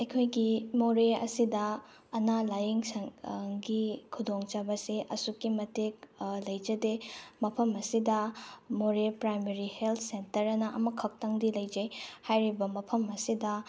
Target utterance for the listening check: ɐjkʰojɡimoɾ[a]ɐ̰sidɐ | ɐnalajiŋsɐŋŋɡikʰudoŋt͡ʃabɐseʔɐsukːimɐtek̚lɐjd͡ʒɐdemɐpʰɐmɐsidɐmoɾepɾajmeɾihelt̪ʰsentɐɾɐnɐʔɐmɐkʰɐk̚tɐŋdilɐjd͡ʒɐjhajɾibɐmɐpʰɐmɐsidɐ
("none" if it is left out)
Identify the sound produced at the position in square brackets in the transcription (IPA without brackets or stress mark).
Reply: e